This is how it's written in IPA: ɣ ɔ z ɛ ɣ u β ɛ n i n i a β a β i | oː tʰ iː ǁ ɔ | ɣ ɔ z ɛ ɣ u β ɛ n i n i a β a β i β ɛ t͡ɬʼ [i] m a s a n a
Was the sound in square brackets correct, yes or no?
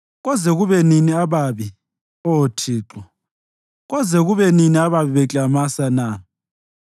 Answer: no